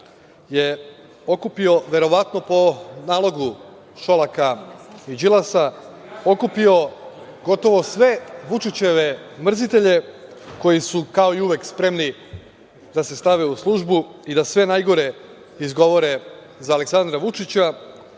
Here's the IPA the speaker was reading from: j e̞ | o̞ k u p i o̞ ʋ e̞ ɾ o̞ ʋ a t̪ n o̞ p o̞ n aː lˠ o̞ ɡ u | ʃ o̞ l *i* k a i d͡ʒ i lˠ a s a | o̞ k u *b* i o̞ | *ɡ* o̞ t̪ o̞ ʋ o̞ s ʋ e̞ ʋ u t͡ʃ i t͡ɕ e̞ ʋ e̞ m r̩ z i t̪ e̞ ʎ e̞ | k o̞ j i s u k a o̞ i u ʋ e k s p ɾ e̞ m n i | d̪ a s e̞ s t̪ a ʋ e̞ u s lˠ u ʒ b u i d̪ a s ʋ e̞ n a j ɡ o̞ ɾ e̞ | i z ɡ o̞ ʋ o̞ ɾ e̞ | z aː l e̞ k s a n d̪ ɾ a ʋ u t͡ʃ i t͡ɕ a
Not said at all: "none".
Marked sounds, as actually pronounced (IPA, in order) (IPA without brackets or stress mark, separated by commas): a, p, ɡ